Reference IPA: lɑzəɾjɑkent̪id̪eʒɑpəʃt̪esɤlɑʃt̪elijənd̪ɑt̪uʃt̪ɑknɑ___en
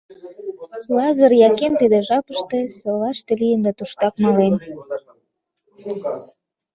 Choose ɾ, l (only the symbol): l